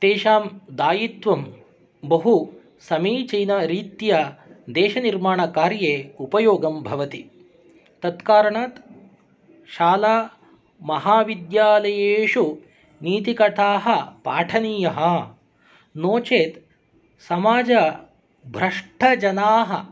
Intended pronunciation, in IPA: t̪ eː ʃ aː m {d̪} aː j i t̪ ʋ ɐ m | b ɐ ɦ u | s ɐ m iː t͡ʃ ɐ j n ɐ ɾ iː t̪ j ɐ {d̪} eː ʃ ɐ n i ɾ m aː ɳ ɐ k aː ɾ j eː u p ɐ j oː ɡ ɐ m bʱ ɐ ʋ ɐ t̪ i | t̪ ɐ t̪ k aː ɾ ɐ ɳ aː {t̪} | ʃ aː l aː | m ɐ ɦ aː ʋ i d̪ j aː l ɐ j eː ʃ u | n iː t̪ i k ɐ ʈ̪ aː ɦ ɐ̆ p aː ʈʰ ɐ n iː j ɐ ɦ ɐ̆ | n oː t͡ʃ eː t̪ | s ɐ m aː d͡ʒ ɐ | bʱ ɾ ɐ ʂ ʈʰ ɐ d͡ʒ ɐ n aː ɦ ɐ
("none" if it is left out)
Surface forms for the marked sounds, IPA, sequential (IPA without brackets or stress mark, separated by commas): d̪, d̪, t̪